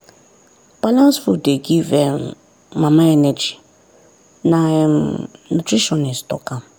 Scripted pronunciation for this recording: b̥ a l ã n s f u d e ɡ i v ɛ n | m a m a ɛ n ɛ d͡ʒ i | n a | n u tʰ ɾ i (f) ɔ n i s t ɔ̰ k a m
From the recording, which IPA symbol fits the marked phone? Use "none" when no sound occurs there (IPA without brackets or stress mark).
ʃ